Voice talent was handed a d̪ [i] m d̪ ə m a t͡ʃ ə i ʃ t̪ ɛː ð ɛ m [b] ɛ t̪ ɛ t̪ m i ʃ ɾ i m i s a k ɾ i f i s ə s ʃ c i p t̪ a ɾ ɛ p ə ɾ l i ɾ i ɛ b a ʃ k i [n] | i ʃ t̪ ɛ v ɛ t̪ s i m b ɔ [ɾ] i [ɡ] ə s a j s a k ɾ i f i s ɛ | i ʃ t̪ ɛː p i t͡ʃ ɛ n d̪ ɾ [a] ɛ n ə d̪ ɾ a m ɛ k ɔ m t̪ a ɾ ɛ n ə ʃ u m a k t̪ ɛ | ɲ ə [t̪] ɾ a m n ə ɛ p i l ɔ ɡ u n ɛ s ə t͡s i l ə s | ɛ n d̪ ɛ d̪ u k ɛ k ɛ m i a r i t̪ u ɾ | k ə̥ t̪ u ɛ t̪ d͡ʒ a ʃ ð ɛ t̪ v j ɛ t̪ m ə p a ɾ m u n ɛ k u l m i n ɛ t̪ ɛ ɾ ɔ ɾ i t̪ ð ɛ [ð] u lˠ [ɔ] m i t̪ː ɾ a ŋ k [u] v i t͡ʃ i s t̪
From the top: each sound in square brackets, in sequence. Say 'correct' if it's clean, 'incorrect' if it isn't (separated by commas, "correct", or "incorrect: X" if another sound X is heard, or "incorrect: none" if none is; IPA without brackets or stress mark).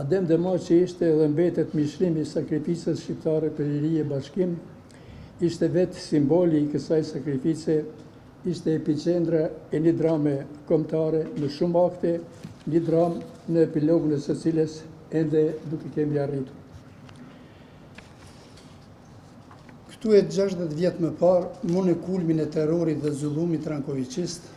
incorrect: ɛ, correct, incorrect: m, incorrect: l, incorrect: k, correct, incorrect: d̪, incorrect: z, incorrect: u, incorrect: ɔ